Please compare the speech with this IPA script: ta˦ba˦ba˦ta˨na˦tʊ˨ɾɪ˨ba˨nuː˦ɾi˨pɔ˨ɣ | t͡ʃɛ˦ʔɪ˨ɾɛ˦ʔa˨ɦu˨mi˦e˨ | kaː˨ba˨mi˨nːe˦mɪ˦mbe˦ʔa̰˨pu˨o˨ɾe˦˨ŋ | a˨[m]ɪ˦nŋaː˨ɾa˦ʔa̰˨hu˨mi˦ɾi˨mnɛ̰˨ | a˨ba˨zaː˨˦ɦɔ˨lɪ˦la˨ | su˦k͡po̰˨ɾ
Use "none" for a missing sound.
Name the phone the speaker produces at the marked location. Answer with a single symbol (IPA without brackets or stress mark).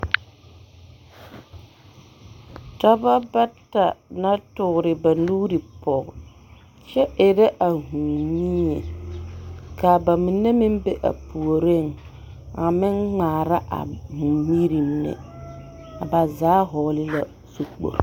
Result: m